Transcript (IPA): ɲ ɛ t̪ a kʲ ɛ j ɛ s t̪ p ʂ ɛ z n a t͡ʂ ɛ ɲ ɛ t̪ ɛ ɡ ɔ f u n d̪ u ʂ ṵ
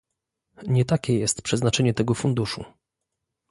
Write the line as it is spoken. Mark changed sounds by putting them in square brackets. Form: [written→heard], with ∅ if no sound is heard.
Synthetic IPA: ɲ ɛ t̪ a kʲ ɛ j ɛ s t̪ p ʂ ɛ z n a t͡ʂ ɛ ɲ ɛ t̪ ɛ ɡ ɔ f u n d̪ u ʂ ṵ